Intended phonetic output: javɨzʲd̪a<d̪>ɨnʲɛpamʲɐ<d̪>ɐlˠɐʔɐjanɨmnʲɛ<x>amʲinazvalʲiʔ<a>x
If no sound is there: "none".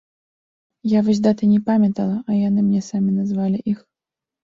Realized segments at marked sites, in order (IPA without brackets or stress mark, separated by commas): t̪, t̪, s, i